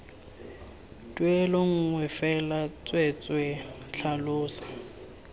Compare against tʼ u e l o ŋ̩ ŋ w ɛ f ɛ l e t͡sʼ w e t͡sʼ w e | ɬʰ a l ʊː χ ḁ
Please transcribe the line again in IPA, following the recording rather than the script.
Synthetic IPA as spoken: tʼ w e l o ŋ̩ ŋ w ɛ f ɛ l a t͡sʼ w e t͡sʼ w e | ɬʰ a l ʊː s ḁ